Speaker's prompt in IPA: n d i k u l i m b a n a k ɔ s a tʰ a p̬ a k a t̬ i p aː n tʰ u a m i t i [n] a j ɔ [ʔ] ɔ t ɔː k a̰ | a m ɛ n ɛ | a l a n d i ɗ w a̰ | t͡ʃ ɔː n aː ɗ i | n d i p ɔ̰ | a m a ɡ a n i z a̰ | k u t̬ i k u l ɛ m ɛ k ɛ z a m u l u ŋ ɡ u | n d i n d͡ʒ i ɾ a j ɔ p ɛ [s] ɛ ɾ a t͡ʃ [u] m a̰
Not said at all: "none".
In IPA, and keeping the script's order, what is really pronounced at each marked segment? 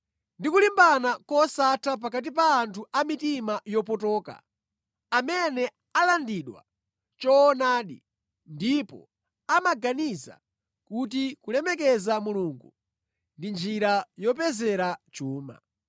m, p, z, uː

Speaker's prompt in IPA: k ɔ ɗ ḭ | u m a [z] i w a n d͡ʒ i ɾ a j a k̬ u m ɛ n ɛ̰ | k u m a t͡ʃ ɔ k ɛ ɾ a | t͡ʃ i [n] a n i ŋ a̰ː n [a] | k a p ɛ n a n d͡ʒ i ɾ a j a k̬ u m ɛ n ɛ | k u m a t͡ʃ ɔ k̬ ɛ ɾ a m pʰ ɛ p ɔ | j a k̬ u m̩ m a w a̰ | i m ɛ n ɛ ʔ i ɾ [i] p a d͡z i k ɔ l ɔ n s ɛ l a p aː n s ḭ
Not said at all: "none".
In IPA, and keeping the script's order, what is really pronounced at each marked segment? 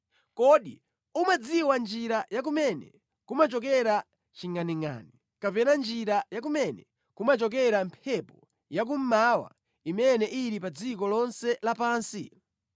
d͡z, ŋ, i, i

